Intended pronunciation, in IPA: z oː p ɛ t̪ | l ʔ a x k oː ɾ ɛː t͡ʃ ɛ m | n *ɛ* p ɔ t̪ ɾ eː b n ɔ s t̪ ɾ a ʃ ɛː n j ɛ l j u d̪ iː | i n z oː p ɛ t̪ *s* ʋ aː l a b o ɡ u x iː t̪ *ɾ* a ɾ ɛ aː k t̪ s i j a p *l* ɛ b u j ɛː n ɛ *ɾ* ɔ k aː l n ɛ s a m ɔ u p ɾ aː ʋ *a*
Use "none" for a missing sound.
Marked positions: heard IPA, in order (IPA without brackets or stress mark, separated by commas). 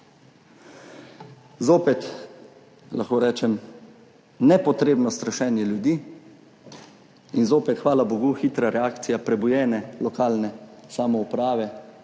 ɛ, x, ɾ, ɾ, l, ɛ